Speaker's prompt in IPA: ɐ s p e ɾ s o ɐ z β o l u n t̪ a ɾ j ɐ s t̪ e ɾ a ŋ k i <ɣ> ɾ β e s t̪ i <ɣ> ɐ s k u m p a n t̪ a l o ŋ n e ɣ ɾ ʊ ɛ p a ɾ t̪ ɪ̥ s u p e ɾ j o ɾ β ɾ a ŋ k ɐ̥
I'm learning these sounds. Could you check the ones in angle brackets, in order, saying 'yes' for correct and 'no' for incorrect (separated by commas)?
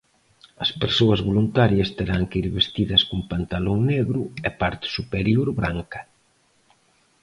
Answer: no, no